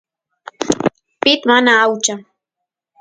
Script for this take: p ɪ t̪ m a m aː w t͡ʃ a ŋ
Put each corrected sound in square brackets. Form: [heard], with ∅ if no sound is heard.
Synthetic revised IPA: p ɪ t̪ m a [n] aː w t͡ʃ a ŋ

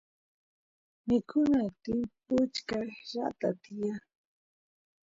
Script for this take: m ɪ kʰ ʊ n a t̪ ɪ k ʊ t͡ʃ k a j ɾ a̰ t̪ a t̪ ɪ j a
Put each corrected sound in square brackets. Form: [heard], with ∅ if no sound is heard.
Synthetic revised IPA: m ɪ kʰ ʊ n a t̪ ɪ [p] ʊ t͡ʃ k a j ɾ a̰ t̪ a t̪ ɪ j a

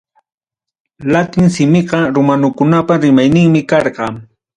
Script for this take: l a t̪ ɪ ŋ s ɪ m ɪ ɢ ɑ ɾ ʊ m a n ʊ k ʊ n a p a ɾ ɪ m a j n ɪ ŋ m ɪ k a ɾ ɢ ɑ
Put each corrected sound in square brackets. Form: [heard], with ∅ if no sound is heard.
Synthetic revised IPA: l a t̪ ɪ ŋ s ɪ m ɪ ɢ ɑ ɾ ʊ m a n ʊ k ʊ n a p a ɾ ɪ m a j n ɪ ŋ m ɪ k [ɑ] ɾ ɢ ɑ

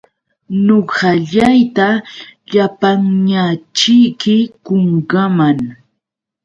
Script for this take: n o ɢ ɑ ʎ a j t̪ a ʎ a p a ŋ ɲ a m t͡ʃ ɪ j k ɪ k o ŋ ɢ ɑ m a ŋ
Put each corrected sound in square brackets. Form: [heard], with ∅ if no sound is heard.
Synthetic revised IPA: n o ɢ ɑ ʎ a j t̪ a ʎ a p a ŋ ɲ a [∅] t͡ʃ ɪ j k ɪ k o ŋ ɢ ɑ m a ŋ

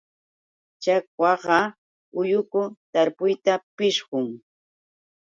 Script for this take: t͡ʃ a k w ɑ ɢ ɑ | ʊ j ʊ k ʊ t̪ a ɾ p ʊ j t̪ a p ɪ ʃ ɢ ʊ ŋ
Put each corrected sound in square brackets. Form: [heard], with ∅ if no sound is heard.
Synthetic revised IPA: t͡ʃ a k w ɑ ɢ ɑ | ʊ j ʊ k ʊ t̪ a ɾ p ʊ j t̪ a p ɪ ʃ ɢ ʊ ŋ

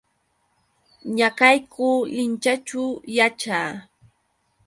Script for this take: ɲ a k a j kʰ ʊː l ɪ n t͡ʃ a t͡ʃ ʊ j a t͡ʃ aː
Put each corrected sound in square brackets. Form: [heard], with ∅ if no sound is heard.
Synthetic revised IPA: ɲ a k a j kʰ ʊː l ɪ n t͡ʃ a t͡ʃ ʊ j a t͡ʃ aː

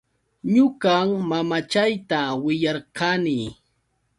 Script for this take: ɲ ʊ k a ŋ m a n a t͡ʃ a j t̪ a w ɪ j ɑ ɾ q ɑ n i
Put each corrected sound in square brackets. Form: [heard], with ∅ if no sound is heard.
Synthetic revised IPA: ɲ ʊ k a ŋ m a [m] a t͡ʃ a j t̪ a w ɪ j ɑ ɾ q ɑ n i

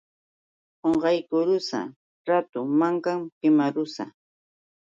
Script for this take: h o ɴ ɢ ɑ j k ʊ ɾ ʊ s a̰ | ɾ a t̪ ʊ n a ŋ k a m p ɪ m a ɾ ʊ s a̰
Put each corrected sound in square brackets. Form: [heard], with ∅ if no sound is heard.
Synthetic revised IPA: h o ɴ ɢ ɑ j k ʊ ɾ ʊ s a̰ | ɾ a t̪ ʊ [m] a ŋ k a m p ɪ m a ɾ ʊ s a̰

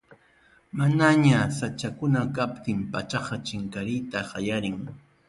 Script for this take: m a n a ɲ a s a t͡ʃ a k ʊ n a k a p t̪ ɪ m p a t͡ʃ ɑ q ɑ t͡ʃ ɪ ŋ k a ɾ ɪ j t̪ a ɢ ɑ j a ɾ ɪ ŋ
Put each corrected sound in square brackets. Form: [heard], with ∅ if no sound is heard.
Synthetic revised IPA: m a n a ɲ a s a t͡ʃ a k ʊ n a k a p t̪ ɪ m p a t͡ʃ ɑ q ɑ t͡ʃ ɪ ŋ k a ɾ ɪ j t̪ a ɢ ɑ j a ɾ ɪ ŋ

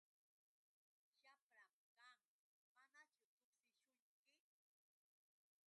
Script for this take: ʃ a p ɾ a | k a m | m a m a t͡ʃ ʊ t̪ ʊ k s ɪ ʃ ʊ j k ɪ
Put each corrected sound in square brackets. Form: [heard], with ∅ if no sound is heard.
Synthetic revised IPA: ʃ a p ɾ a | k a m | m a [n] a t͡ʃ ʊ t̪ ʊ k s ɪ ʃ ʊ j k ɪ

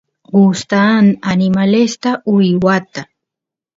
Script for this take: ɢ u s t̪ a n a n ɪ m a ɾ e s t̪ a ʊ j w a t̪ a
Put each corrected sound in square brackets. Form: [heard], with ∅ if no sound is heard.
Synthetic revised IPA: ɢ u s t̪ a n a n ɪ m a [l] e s t̪ a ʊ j w a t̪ a

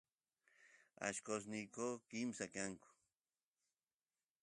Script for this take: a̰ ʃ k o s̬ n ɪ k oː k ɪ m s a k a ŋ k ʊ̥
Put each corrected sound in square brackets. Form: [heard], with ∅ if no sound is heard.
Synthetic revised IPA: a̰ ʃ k o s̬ n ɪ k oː k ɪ m s a k a ŋ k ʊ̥

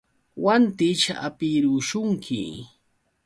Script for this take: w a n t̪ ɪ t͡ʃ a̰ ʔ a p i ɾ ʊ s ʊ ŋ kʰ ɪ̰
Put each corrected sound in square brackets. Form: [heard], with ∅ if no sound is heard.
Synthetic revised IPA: w a n t̪ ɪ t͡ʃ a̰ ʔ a p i ɾ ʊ [ʃ] ʊ ŋ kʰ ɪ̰

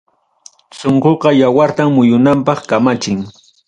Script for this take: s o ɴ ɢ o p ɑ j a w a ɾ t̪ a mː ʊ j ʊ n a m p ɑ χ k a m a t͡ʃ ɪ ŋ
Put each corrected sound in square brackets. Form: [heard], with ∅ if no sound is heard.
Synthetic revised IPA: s o ɴ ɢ o [q] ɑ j a w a ɾ t̪ a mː ʊ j ʊ n a m p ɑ χ k a m a t͡ʃ ɪ ŋ

